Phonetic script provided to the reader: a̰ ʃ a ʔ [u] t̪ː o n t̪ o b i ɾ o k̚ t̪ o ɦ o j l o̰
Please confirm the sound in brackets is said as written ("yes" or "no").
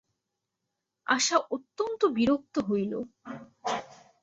no